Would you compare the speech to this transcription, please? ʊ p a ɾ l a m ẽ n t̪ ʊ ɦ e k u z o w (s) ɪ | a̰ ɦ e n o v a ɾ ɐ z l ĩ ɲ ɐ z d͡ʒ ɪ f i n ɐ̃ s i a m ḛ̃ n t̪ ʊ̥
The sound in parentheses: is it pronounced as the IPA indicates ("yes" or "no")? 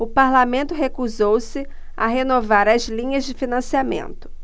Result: yes